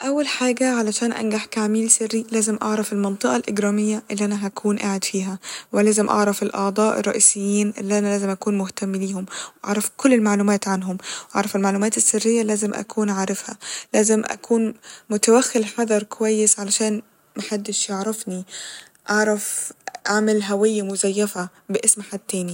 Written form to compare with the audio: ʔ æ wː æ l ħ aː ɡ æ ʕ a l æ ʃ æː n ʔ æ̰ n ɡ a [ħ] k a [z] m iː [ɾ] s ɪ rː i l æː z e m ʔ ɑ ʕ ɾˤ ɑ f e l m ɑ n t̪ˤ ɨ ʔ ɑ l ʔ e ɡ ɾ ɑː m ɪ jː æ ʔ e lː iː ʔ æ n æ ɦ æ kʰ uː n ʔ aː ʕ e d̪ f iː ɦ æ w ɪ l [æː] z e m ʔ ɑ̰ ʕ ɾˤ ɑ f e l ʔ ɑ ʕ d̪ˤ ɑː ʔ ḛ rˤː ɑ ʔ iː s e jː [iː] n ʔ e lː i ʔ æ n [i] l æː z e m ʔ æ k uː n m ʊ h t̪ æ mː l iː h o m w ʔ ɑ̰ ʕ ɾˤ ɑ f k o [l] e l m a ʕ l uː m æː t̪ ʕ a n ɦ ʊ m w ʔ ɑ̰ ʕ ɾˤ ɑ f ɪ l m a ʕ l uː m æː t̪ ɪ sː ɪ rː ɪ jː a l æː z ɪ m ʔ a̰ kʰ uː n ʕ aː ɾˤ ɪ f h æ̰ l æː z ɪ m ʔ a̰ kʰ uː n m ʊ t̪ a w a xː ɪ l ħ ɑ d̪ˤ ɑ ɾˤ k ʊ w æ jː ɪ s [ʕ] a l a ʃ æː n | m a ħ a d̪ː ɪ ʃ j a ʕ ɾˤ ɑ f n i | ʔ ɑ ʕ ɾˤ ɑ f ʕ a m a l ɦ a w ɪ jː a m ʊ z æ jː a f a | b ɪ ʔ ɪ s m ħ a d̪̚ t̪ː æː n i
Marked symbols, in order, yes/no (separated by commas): yes, no, no, yes, yes, no, no, yes